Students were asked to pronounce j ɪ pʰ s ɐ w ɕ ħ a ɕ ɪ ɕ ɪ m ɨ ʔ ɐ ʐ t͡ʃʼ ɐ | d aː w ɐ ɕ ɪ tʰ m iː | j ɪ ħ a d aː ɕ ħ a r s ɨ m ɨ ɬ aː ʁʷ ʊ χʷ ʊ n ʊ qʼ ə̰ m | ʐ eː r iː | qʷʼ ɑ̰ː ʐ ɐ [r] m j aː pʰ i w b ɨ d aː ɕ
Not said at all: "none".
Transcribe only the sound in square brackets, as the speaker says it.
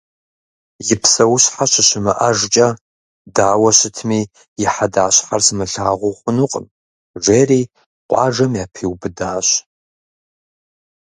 none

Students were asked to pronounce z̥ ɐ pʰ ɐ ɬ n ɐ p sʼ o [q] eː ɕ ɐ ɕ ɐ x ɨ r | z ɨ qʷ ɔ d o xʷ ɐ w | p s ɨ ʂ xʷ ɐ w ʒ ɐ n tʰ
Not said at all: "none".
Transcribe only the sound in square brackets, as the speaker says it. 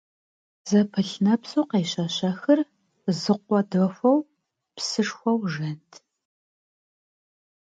q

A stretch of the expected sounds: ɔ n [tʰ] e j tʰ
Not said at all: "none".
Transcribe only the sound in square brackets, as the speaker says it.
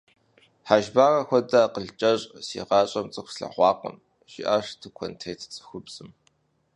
tʰ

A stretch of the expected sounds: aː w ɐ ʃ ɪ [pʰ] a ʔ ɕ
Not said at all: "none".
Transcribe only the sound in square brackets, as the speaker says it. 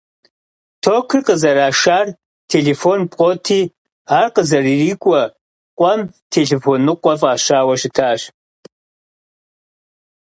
tʰ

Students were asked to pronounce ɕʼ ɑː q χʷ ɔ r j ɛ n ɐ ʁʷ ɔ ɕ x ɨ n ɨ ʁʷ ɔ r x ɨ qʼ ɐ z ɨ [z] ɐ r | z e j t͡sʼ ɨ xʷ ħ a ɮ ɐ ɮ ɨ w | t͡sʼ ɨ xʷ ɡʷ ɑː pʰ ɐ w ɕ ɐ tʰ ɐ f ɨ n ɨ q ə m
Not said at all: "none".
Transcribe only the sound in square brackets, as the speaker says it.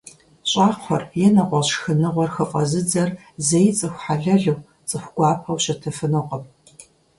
d͡z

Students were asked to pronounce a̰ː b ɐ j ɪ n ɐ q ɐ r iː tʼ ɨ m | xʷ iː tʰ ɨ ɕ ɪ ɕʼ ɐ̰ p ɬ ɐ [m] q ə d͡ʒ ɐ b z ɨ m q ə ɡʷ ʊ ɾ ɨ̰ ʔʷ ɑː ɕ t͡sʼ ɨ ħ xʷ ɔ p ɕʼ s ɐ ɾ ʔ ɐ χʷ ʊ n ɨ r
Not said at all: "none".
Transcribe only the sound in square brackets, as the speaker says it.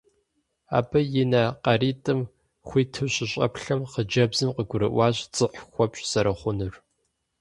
m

